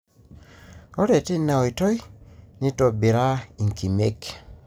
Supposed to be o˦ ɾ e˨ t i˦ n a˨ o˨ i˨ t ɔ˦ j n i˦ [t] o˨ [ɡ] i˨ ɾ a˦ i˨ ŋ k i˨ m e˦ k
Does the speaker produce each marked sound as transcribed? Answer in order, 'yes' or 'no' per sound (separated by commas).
yes, no